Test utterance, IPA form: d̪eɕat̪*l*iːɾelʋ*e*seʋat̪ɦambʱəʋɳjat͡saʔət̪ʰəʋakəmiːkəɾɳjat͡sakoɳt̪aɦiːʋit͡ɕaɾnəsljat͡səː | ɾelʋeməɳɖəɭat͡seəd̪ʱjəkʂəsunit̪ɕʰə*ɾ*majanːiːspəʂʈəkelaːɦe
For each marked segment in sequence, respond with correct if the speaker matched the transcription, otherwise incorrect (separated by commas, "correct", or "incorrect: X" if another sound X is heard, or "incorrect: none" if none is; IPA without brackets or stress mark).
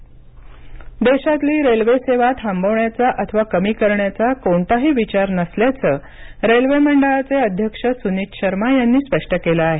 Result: correct, correct, correct